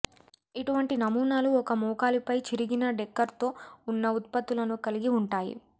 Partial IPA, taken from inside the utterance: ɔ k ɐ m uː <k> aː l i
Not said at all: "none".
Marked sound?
k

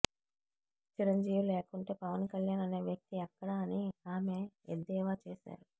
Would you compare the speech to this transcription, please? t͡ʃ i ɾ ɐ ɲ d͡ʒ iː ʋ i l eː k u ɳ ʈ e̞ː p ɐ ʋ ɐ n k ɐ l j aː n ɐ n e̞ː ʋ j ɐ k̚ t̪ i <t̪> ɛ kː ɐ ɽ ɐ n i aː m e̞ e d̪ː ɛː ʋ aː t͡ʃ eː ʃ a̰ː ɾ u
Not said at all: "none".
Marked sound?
none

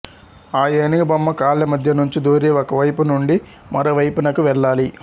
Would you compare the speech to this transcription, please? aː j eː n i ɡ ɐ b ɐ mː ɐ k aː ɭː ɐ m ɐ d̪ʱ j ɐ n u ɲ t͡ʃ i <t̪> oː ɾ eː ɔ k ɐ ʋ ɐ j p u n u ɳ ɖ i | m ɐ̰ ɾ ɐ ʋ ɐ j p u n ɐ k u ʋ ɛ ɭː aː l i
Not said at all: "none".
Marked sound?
d̪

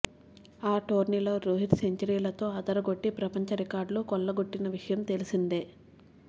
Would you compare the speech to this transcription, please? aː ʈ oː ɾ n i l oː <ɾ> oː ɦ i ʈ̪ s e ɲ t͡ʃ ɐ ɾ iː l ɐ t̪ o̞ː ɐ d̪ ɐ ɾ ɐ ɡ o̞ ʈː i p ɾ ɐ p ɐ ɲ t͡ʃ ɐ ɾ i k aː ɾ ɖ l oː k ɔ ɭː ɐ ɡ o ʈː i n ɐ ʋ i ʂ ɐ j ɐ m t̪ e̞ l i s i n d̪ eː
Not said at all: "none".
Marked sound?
ɾ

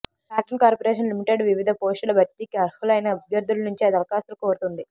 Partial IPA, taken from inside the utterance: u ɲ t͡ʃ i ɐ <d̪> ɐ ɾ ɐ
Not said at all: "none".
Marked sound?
d̪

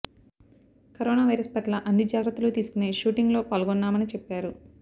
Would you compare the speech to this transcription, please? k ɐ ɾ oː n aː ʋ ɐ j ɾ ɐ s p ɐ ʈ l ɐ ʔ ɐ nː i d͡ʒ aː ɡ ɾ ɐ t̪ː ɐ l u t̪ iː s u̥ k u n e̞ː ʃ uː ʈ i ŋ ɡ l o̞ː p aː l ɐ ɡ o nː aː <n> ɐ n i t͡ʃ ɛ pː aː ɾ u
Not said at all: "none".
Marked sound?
m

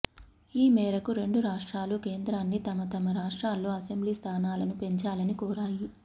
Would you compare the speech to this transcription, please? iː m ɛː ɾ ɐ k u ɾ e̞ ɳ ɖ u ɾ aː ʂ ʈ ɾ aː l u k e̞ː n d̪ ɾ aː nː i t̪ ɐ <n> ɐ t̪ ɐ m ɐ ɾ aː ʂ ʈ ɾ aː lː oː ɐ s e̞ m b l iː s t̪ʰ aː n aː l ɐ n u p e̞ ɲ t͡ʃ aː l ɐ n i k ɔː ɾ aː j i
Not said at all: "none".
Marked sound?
m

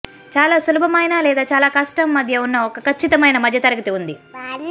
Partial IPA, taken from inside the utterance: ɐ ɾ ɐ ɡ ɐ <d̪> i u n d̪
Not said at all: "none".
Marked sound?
t̪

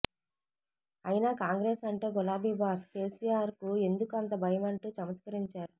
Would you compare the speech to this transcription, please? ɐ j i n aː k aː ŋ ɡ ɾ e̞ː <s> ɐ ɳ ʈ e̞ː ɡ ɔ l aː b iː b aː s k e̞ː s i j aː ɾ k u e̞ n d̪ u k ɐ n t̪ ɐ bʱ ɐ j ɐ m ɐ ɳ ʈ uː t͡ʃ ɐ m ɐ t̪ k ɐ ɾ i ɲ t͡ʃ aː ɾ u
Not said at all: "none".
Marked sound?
s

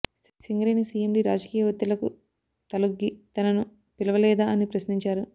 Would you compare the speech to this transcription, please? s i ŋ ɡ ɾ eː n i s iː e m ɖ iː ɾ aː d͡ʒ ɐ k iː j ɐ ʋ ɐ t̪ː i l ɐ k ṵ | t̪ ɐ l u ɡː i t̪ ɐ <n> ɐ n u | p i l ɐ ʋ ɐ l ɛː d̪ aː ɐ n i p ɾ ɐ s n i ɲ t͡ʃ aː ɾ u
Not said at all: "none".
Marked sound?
n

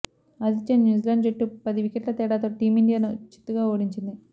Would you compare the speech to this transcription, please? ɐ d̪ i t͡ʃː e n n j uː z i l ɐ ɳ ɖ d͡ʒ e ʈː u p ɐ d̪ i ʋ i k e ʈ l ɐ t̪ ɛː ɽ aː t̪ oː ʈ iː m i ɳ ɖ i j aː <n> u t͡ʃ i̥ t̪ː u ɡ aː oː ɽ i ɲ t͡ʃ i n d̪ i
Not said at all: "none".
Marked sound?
n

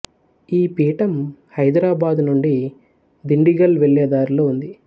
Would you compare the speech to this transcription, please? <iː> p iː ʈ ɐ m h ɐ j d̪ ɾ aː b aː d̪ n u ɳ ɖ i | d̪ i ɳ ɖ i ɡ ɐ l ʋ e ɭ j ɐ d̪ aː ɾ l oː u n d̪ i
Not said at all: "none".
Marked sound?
iː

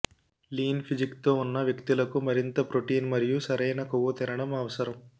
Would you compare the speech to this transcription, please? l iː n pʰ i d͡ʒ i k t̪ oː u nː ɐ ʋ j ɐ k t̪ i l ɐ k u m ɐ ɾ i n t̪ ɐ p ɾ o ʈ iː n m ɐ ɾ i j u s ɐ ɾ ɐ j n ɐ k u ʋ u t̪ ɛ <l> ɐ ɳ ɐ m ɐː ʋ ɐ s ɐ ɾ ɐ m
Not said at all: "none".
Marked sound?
ɾ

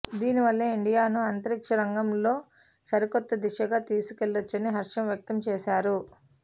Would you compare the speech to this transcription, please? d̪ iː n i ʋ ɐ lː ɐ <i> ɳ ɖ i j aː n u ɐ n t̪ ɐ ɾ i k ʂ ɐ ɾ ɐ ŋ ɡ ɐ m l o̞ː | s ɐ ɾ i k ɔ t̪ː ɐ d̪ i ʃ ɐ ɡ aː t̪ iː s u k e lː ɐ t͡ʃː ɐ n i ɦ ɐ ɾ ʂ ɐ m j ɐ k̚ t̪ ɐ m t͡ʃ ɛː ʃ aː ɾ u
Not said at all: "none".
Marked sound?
i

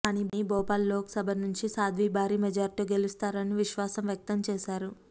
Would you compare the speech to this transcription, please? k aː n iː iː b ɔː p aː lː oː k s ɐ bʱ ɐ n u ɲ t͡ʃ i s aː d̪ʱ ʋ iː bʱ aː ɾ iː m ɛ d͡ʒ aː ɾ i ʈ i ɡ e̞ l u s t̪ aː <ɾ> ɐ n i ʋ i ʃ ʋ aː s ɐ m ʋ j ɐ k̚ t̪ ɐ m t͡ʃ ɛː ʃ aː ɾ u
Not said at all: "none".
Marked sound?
ɾ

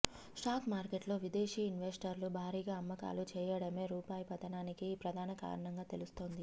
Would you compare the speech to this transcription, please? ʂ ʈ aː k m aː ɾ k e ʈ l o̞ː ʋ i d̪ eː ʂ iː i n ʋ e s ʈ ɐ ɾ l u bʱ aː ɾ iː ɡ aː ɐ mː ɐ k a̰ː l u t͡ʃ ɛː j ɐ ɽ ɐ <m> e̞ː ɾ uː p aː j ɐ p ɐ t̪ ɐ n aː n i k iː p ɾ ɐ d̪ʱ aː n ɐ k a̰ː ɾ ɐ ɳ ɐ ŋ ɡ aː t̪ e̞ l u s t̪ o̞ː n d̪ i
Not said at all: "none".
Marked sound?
m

